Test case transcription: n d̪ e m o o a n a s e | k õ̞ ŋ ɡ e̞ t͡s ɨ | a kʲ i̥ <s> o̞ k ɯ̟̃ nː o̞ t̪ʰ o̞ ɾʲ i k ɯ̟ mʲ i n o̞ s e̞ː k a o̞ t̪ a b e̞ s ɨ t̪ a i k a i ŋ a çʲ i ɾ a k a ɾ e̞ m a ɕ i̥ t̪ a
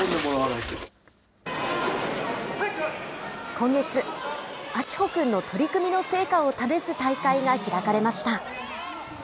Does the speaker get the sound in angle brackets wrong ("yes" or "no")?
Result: yes